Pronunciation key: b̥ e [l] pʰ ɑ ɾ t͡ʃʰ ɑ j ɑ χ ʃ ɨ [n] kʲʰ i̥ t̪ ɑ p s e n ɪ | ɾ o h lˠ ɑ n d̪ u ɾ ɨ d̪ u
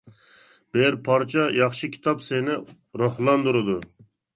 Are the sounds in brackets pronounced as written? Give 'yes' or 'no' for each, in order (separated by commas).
no, no